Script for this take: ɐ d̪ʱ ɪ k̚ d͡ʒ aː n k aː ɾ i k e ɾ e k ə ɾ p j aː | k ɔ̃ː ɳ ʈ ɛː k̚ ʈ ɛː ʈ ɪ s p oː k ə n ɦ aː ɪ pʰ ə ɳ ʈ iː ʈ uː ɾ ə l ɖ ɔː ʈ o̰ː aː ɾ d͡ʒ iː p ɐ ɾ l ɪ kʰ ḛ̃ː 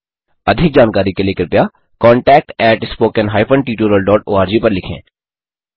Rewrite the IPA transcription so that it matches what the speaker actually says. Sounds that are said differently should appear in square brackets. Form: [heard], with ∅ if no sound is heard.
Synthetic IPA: ɐ d̪ʱ ɪ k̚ d͡ʒ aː n k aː ɾ i k e [l] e k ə ɾ p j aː | k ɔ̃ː ɳ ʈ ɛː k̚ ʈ ɛː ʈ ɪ s p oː k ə n ɦ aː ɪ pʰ ə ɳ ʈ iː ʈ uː ɾ ə l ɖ ɔː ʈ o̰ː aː ɾ d͡ʒ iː p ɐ ɾ l ɪ kʰ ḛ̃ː